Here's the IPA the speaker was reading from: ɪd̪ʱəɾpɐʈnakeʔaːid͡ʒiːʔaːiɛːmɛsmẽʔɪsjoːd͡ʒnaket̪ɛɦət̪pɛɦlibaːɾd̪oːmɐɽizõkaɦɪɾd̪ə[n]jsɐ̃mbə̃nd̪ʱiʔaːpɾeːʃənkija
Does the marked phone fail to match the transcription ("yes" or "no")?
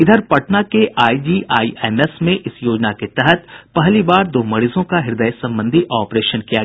yes